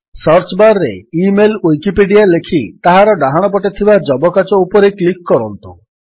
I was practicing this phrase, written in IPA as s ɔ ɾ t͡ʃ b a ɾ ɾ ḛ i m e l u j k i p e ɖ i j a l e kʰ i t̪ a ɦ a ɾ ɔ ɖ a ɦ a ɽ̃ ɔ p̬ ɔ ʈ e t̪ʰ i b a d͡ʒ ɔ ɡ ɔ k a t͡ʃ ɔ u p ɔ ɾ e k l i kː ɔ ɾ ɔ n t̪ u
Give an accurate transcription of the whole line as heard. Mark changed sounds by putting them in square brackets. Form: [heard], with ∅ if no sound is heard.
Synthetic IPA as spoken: s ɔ ɾ t͡ʃ b a ɾ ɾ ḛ i m e l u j k i p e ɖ i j a l e kʰ i t̪ a ɦ a ɾ ɔ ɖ a ɦ a ɽ̃ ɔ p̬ ɔ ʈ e t̪ʰ i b a d͡ʒ ɔ [b] ɔ k a t͡ʃ ɔ u p ɔ ɾ e k l i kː ɔ ɾ ɔ n t̪ u